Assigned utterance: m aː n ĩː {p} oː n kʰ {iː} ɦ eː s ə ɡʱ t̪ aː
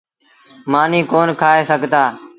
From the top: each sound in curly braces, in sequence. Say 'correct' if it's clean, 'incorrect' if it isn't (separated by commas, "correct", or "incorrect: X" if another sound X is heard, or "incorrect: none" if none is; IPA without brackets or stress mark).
incorrect: k, incorrect: aː